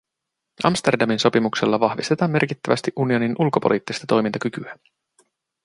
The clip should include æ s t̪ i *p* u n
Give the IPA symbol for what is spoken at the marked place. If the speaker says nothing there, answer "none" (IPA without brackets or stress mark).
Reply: ʔ